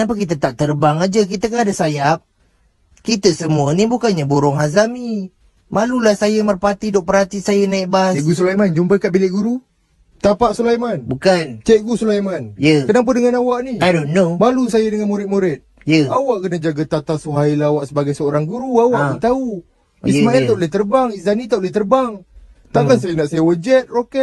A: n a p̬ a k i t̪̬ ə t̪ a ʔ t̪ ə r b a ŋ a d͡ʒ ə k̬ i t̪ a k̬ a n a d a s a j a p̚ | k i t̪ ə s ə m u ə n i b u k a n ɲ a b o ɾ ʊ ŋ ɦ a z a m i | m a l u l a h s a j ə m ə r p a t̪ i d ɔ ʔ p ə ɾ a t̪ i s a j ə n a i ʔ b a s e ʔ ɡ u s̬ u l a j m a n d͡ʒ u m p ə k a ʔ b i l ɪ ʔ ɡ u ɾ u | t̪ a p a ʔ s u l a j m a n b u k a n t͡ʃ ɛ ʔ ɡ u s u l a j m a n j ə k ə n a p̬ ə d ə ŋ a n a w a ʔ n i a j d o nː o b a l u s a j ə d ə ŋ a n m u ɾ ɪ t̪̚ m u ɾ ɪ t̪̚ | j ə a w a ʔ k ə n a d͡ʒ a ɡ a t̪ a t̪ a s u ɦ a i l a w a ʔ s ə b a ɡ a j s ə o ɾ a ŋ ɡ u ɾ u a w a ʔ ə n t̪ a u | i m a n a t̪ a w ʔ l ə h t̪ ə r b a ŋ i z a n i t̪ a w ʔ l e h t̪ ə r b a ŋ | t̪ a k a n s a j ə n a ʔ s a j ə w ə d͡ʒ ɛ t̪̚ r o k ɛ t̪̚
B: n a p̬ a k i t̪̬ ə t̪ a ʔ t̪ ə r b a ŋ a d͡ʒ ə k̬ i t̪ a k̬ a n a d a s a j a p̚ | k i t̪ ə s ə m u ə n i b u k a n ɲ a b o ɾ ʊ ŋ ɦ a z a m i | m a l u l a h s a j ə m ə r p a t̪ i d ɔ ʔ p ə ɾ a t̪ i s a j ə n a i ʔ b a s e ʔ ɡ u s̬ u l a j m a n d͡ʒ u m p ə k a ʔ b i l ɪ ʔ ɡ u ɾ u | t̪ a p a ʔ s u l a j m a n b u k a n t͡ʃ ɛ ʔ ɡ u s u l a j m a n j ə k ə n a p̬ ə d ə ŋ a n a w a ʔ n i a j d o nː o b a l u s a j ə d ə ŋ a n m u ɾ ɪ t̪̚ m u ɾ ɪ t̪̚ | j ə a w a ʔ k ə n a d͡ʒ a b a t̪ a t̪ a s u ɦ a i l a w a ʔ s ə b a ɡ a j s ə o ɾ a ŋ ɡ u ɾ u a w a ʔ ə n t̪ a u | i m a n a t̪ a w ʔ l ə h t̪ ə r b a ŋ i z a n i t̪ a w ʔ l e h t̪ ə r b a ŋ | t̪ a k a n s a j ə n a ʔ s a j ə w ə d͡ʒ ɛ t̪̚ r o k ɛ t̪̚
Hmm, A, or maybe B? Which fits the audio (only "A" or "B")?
A